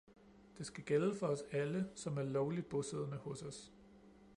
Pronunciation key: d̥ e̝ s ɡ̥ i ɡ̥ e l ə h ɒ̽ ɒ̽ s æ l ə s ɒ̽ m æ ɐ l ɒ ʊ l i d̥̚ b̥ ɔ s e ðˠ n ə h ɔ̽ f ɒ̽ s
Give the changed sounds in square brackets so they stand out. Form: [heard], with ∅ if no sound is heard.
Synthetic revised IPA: d̥ e̝ s ɡ̥ [æ] ɡ̥ e l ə [f] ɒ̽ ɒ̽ s æ l ə s ɒ̽ m æ ɐ l ɒ ʊ l i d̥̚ b̥ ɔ s e ðˠ n ə h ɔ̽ [s] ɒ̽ s